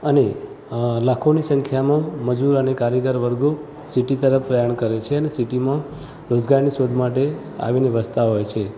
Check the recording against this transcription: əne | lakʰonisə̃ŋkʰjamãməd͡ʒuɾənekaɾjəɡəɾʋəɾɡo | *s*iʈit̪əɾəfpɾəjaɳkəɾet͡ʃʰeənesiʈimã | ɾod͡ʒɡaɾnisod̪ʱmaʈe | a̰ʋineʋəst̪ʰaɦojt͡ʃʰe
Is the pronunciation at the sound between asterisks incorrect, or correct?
correct